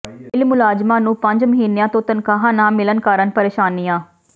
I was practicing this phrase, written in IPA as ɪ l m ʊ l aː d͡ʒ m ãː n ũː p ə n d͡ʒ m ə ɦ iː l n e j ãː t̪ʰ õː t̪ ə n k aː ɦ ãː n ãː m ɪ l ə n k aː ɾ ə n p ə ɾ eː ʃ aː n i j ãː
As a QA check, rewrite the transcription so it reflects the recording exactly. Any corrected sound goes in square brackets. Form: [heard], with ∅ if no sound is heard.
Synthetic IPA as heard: ɪ l m ʊ l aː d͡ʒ m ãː n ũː p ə [ɲ] d͡ʒ m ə ɦ iː [∅] n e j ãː [t̪] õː t̪ ə n k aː ɦ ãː n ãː m ɪ l ə n k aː ɾ ə n p ə ɾ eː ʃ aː n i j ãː